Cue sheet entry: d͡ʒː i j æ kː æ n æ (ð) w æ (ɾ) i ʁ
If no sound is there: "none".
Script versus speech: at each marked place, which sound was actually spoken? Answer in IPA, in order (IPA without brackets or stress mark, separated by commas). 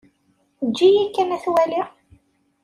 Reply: θ, l